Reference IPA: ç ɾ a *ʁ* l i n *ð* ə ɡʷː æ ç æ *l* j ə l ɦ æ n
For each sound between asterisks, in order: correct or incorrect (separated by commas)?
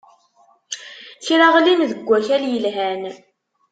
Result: correct, correct, correct